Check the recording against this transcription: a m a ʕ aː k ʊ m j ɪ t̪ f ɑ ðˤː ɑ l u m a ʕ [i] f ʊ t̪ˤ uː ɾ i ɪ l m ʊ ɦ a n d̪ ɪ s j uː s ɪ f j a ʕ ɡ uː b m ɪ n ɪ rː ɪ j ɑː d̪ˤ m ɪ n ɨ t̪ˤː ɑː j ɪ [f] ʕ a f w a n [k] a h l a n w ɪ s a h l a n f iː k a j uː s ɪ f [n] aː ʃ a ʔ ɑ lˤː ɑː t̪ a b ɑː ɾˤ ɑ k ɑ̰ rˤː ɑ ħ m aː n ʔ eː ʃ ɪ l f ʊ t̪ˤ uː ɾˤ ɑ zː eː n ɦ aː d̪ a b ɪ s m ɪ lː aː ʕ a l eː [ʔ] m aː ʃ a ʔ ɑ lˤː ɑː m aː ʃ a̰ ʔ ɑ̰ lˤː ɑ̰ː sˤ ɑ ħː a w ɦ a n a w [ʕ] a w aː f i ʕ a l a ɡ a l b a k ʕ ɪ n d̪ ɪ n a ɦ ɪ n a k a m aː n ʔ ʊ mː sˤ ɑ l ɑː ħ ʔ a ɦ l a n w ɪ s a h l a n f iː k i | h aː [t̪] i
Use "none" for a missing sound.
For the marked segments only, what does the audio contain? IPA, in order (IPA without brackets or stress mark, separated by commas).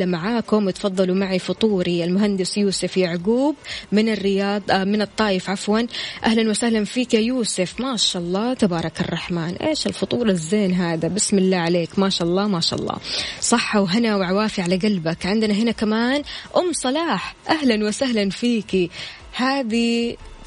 i, f, ʔ, m, k, ʕ, d̪